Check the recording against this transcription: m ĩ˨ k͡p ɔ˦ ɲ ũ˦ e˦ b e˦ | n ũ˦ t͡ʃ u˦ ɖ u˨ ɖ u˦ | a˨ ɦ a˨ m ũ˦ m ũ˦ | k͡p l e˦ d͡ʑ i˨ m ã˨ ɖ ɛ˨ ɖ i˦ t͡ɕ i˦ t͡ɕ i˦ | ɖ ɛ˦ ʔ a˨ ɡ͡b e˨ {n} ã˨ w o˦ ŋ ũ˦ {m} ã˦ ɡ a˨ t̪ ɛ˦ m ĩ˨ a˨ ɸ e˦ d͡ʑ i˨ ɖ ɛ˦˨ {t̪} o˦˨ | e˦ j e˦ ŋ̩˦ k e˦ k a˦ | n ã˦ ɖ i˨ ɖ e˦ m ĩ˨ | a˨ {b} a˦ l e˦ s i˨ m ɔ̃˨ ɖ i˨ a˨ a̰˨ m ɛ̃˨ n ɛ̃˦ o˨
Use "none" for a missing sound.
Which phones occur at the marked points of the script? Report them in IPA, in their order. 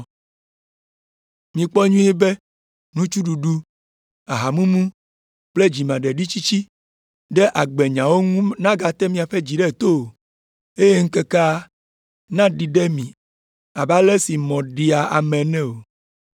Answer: ɲ, n, t̪, b

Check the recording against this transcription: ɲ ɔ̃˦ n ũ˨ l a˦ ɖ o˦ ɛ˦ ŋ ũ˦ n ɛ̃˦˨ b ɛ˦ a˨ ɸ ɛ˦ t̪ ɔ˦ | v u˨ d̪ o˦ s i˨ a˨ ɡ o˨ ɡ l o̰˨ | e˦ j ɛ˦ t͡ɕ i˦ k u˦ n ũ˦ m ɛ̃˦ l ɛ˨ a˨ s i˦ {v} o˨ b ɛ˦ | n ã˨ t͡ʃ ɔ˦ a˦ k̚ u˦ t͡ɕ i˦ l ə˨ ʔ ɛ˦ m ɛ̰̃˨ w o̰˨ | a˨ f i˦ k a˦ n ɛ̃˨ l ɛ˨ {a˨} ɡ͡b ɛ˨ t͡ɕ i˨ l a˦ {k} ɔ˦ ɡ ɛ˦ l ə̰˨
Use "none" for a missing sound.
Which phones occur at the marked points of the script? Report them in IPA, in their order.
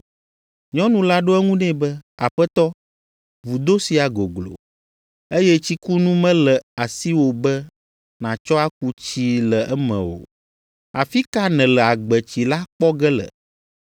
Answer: w, a˨, k͡p

